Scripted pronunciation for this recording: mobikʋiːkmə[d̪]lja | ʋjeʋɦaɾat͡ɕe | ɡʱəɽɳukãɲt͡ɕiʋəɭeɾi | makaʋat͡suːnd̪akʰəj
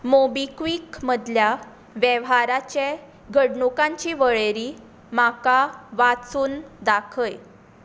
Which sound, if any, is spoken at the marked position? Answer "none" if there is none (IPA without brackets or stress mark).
d̪